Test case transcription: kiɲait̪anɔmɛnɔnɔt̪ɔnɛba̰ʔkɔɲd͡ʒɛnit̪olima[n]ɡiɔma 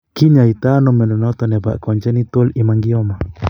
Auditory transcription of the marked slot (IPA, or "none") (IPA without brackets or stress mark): ŋ